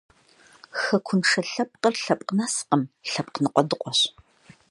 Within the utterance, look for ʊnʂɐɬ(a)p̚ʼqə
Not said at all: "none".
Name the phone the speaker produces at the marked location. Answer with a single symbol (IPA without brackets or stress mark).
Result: ɐ